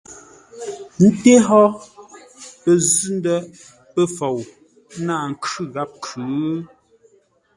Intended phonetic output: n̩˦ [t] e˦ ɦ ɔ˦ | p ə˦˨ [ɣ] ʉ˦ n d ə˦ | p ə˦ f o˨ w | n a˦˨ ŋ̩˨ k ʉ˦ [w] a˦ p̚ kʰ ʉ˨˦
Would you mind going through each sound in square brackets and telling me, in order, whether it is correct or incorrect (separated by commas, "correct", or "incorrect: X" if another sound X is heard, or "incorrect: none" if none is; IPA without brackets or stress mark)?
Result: correct, incorrect: z, incorrect: ɣ